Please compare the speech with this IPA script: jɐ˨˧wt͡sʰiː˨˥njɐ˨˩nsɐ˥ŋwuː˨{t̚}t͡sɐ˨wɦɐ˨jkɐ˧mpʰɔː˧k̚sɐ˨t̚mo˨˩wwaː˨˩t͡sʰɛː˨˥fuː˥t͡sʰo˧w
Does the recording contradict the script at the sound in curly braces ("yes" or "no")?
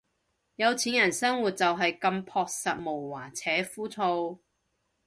no